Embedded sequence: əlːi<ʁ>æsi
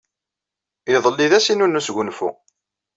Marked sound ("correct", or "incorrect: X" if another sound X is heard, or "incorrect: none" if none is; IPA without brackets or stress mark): incorrect: ð